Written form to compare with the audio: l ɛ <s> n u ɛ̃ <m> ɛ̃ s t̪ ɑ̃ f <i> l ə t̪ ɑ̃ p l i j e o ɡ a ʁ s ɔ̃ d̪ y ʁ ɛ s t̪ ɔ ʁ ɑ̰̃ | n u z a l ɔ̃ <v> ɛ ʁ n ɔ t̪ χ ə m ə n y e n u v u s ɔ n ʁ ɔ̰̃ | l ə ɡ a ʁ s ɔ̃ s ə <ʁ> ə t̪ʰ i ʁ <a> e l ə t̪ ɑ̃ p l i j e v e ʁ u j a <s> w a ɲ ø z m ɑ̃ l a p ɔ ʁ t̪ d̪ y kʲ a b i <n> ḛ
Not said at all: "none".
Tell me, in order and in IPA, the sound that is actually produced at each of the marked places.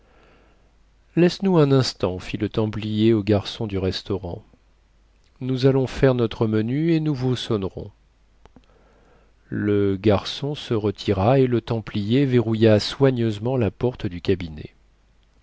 s, n, i, f, ʁ, a, s, n

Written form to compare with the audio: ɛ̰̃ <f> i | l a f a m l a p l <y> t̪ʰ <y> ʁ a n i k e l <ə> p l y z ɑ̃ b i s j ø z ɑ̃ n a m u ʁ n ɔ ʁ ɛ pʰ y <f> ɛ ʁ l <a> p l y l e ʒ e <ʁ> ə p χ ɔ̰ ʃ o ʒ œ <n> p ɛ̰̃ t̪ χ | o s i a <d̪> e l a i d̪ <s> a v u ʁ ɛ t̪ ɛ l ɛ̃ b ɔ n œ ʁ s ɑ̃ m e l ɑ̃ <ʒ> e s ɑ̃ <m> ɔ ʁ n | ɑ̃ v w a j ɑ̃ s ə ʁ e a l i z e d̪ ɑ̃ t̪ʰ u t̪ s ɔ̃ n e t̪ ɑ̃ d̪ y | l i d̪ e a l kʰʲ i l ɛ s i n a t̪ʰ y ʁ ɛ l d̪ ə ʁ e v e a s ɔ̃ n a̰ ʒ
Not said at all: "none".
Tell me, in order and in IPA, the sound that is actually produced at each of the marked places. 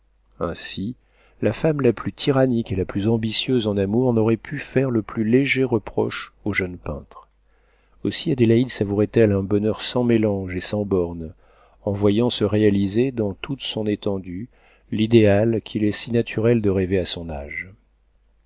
s, y, i, a, f, ə, ʁ, n, d̪, s, ʒ, b

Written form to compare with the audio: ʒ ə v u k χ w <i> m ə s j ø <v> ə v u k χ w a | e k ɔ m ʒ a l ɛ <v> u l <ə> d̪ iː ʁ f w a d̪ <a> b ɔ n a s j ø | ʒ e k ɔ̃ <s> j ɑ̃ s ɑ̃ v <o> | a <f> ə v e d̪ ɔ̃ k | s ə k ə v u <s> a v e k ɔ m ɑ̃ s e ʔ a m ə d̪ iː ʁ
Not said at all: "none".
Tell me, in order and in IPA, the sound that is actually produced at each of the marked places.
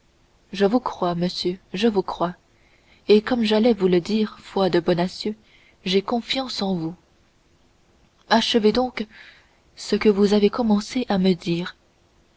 a, ʒ, v, ə, ə, f, u, ʃ, z

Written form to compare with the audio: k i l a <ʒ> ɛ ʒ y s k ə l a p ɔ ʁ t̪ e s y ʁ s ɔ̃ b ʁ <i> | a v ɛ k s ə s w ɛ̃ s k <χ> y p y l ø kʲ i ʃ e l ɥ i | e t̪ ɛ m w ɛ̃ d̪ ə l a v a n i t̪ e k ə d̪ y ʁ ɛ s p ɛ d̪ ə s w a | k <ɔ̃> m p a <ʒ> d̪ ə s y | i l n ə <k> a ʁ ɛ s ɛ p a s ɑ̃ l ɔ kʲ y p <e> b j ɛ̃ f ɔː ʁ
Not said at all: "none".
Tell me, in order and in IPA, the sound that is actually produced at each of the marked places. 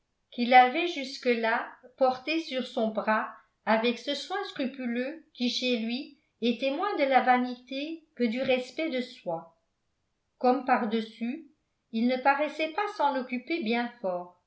v, a, χ, ɔ, ʁ, p, e

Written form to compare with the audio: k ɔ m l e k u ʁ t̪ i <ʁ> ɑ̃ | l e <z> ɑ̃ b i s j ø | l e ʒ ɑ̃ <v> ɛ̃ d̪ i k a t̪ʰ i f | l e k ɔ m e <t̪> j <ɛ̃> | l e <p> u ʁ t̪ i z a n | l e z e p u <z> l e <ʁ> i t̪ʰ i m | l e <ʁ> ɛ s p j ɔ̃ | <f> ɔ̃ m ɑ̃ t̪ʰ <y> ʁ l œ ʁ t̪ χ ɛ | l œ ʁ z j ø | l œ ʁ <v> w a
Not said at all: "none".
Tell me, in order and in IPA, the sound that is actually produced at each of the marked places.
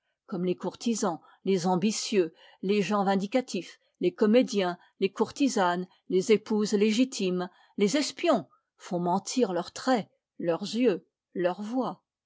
z, z, v, d̪, ɛ̃, k, z, ʒ, z, f, i, v

